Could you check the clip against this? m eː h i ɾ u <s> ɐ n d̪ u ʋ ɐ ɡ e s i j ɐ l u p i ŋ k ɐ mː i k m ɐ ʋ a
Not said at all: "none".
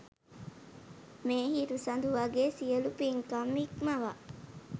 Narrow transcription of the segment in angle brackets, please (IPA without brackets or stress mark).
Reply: s